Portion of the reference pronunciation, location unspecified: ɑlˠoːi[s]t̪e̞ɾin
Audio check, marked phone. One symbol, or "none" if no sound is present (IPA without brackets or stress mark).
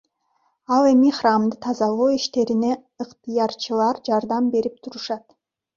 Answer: ʃ